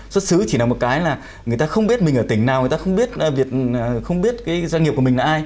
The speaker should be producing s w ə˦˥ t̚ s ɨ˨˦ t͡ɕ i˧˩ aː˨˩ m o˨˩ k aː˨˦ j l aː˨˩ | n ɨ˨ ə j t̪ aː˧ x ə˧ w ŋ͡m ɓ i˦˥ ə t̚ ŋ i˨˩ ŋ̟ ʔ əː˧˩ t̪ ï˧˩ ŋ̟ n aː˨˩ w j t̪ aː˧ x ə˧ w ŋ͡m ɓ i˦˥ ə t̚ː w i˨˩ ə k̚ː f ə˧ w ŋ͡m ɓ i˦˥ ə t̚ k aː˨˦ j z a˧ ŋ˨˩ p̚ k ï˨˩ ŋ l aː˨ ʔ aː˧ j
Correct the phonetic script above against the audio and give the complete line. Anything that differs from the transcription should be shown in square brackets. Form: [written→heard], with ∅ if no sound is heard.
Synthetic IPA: s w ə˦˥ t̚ s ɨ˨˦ t͡ɕ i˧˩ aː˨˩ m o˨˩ k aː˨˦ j l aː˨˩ | [n→ŋ] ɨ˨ ə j t̪ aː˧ x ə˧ w ŋ͡m ɓ i˦˥ ə t̚ [ŋ→m] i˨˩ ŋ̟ ʔ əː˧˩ t̪ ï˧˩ ŋ̟ n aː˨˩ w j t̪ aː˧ x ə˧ w ŋ͡m ɓ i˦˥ ə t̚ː [w→v] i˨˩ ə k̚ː [f→x] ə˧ w ŋ͡m ɓ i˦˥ ə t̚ k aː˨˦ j z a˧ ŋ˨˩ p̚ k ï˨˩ ŋ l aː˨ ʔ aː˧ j